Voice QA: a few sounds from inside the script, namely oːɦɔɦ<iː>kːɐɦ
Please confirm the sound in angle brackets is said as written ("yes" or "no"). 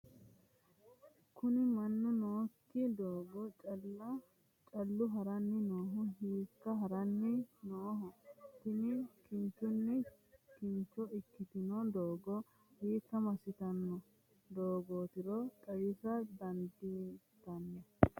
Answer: yes